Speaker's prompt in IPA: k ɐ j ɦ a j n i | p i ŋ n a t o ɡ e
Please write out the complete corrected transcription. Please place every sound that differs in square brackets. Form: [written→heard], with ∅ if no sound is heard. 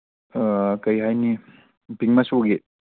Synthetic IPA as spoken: k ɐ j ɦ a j n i | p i ŋ [n→m] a [t→s] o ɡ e